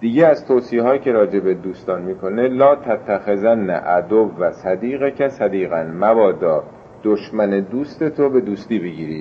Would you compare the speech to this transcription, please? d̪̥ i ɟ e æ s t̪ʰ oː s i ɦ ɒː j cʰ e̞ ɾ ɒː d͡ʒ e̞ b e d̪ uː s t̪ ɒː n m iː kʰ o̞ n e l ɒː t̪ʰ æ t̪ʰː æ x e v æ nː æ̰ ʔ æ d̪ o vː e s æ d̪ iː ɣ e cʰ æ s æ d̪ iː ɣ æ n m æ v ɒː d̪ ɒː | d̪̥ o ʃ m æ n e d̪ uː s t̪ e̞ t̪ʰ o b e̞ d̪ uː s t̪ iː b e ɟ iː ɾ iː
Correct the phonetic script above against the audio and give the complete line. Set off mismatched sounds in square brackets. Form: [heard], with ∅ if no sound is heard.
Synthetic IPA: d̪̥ i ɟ e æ [z] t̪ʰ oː s i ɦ ɒː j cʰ e̞ ɾ ɒː d͡ʒ e̞ b e d̪ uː s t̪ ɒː n m iː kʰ o̞ n e l ɒː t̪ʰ æ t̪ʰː æ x e [z] æ nː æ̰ ʔ æ d̪ o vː [æ] s æ d̪ iː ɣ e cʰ æ s æ d̪ iː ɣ æ n m æ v ɒː d̪ ɒː | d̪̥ o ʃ m æ n e d̪ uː s t̪ e̞ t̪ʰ o b e̞ d̪ uː s t̪ iː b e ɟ iː ɾ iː